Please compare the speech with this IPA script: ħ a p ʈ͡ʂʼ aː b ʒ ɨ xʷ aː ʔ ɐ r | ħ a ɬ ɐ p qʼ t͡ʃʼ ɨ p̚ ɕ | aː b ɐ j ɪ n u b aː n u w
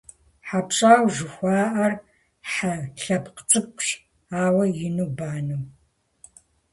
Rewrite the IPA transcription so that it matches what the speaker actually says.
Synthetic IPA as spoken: ħ a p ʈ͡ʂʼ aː w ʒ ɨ xʷ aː ʔ ɐ r | ħ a ɬ ɐ p q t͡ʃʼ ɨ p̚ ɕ | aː w ɐ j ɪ n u b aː n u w

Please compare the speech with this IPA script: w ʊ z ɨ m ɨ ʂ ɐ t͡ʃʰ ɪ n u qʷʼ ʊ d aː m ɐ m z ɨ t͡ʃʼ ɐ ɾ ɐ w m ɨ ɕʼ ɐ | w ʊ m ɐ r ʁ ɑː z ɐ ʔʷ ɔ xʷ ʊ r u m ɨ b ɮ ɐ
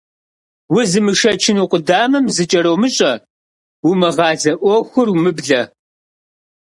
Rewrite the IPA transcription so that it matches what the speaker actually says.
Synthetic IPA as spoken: w ʊ z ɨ m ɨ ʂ ɐ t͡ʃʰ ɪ n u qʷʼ ʊ d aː m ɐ m z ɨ t͡ʃʼ ɐ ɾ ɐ w m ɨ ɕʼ ɐ | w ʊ m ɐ ʁ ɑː z ɐ ʔʷ ɔ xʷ ʊ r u m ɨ b ɮ ɐ

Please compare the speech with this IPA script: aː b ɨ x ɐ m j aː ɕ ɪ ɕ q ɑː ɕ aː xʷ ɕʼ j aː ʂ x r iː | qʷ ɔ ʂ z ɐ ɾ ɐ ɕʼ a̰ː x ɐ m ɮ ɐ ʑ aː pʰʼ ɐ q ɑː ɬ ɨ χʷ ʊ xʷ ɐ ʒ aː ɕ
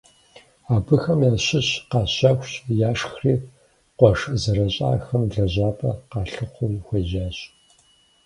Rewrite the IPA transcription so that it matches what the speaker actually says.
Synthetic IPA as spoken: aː b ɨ x ɐ m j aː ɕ ɪ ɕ q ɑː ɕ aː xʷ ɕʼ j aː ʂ x r iː | qʷ ɔ ʂ z ɐ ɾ ɐ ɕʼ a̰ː x ɐ m ɮ ɐ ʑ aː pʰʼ ɐ q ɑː ɬ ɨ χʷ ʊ xʷ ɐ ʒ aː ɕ

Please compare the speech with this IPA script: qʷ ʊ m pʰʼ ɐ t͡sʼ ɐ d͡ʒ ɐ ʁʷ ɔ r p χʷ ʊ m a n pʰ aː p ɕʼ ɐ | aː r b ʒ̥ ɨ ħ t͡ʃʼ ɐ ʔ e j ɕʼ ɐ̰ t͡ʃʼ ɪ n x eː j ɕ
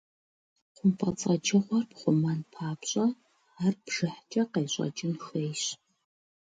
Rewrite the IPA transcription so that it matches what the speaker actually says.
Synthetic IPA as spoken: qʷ ʊ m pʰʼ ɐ t͡sʼ ɐ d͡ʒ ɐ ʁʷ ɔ r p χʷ ʊ m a n pʰ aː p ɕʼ ɐ | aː r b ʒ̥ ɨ ħ t͡ʃʼ ɐ q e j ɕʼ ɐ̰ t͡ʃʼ ɪ n x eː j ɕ

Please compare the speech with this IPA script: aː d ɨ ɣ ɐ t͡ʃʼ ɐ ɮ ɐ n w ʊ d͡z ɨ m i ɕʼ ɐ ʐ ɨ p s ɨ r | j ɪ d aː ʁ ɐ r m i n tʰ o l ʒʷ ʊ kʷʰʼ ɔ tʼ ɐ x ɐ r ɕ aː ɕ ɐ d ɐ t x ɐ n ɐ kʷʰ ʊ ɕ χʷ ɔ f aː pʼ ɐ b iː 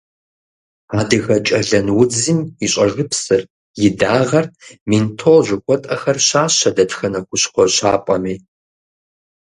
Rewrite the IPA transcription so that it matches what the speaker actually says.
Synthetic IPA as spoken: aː d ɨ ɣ ɐ t͡ʃʼ ɐ ɮ ɐ n w ʊ d͡z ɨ m i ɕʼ ɐ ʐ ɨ p s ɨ r | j ɪ d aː ʁ ɐ r m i n tʰ o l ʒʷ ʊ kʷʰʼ ɔ tʼ ɐ x ɐ r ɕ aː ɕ ɐ d ɐ t x ɐ n ɐ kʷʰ ʊ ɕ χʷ ɔ ɕ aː pʼ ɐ m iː

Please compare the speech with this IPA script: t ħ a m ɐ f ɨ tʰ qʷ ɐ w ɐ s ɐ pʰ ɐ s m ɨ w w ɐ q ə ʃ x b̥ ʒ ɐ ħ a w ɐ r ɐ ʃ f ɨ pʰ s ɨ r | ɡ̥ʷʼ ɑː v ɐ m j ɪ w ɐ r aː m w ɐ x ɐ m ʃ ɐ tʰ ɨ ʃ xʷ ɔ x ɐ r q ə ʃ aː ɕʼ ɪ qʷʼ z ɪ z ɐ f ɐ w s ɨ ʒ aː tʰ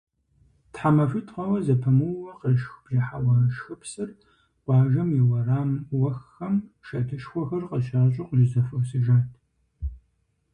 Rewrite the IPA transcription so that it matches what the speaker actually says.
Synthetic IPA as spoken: t ħ a m ɐ f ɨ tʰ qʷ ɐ w ɐ z ɐ pʰ ɐ m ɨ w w ɐ q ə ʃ x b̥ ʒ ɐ ħ a w ɐ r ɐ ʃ x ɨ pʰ s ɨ r | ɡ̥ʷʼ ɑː ʒ ɐ m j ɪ w ɐ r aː m w ɐ x ɐ m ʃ ɐ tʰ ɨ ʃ xʷ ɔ x ɐ r q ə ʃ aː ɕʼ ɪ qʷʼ ʒ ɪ z ɐ f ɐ w s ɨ ʒ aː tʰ

